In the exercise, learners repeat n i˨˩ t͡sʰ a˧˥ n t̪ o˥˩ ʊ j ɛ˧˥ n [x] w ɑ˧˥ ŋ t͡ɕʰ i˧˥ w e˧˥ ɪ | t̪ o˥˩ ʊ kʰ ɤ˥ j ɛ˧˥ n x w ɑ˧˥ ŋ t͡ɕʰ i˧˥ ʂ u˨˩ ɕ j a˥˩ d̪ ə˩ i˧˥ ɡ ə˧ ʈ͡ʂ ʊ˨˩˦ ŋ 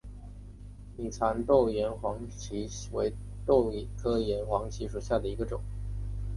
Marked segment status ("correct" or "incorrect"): correct